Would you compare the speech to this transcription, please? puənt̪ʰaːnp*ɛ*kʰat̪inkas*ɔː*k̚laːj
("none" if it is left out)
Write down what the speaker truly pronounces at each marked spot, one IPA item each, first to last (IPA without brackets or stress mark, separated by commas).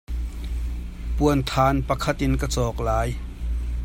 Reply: a, ɔː